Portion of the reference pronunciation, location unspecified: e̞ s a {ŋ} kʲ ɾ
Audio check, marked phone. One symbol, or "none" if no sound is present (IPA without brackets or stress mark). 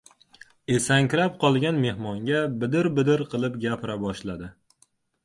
ŋ